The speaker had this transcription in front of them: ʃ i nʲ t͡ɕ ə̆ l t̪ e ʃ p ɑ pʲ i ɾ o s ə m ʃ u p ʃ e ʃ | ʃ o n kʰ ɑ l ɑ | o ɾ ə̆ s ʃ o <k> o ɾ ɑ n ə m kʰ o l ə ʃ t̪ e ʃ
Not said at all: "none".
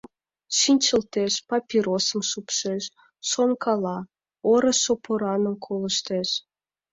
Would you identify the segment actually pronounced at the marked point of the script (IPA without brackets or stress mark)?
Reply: p